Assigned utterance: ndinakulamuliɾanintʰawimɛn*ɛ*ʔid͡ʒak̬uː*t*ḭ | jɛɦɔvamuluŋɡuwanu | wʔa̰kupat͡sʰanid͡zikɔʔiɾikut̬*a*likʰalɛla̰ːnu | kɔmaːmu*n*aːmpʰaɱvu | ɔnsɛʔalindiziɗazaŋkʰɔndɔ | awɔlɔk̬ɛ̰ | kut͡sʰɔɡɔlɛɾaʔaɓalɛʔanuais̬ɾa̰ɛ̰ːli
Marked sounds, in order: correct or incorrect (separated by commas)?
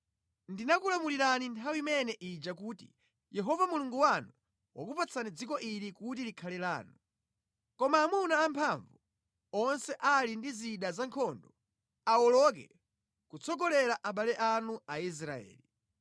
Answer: correct, correct, incorrect, correct